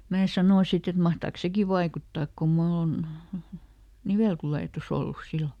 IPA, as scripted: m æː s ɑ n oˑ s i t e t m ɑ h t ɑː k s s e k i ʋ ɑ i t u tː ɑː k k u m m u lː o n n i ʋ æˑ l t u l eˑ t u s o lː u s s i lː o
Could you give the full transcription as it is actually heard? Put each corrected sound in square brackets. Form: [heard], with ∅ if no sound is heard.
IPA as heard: m æː s ɑ n oˑ s i t e t m ɑ h t ɑː k s s e k i ʋ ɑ i [k] u tː ɑː k k u m m u lː o n n i ʋ [eˑ] l t u l eˑ t u s o lː u s s i lː o